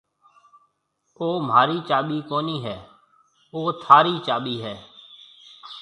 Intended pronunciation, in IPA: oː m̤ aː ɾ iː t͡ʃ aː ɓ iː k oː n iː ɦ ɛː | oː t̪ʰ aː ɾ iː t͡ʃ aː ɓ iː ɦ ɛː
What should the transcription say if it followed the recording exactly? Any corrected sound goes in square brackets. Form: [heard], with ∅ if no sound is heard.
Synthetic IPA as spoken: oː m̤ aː ɾ iː t͡ʃ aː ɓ iː k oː n iː ɦ ɛː | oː t̪ʰ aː ɾ iː t͡ʃ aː ɓ iː ɦ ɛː

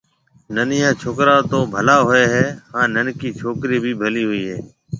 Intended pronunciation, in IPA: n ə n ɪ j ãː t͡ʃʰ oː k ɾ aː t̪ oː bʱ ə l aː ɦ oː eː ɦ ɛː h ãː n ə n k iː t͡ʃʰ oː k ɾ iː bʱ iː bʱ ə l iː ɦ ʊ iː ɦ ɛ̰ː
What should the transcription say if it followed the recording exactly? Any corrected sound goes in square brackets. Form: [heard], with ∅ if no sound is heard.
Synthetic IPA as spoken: n ə n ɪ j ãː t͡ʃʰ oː k ɾ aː t̪ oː bʱ ə l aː ɦ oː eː ɦ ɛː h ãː n ə n k iː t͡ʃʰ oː k ɾ iː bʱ iː bʱ ə l iː ɦ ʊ iː ɦ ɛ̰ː

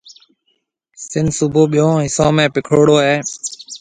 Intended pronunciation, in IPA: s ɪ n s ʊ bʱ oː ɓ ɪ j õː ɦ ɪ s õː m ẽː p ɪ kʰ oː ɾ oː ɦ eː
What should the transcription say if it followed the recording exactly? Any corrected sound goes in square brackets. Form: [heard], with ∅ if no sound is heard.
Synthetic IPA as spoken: s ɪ n s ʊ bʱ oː ɓ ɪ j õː ɦ ɪ s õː m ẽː p ɪ kʰ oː [ɽ] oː ɦ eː

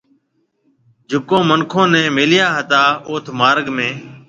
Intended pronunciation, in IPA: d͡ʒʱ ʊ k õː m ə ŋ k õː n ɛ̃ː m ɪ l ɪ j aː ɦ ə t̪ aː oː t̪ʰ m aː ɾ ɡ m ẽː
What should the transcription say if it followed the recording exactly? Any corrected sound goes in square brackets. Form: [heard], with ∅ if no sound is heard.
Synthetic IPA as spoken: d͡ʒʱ ʊ k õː m ə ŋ [kʰ] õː n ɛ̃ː m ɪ l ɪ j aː ɦ ə t̪ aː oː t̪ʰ m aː ɾ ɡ m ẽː

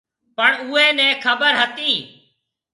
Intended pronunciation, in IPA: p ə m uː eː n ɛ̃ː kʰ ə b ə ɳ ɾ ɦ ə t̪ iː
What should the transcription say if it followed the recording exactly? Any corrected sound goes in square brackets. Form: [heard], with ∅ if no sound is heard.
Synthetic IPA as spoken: p ə [ɳ] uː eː n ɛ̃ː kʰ ə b ə [∅] ɾ ɦ ə t̪ iː

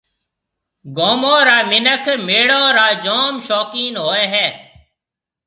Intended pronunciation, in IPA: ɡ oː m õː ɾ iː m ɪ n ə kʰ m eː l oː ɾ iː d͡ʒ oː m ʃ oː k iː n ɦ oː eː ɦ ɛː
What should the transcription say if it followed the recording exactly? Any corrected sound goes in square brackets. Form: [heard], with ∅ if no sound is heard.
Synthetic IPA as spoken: ɡ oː m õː ɾ [aː] m ɪ n ə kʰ m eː [ɽ] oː ɾ [aː] d͡ʒ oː m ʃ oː k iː n ɦ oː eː ɦ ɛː

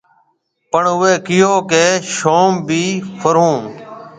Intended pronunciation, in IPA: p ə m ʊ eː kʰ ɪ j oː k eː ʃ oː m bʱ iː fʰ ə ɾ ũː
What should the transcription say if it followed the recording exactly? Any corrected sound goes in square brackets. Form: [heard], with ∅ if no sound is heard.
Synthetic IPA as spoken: p ə [ɳ] ʊ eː [k] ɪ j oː k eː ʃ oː m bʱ iː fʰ ə ɾ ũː

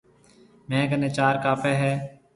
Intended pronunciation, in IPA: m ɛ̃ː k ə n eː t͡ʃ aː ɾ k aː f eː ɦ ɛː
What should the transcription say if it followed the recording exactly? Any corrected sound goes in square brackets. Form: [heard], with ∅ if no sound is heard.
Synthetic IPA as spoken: m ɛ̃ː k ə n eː t͡ʃ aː ɾ k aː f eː ɦ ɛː

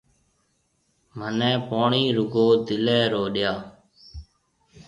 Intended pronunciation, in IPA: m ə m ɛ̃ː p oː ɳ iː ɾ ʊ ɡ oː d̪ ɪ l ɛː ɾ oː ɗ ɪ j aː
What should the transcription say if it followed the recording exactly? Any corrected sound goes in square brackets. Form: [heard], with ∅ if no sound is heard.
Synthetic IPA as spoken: m ə [n] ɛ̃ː p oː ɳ iː ɾ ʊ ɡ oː d̪ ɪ l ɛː ɾ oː ɗ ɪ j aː

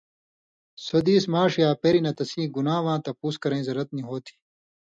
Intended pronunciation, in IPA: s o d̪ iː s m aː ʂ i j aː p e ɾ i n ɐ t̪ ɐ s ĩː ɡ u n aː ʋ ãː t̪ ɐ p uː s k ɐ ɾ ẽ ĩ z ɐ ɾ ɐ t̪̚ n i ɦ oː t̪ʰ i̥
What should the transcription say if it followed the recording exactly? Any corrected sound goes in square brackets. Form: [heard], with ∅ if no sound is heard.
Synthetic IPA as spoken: s o d̪ iː s m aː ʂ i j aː p e ɾ i n ɐ t̪ ɐ s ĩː ɡ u n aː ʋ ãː t̪ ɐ p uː s k ɐ ɾ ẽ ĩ z ɐ ɾ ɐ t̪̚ n i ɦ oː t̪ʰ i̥

